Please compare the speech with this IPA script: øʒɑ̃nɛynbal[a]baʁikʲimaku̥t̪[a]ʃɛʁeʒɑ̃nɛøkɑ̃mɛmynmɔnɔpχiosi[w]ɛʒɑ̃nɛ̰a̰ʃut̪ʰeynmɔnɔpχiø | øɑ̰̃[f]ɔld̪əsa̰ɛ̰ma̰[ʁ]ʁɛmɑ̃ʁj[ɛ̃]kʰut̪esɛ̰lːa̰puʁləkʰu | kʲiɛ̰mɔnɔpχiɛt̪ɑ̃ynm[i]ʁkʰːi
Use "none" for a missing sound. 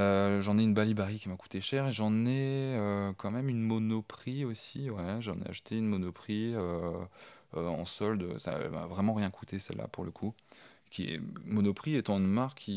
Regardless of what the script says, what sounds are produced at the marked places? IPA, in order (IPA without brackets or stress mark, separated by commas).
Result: i, e, w, s, v, ɛ̃, a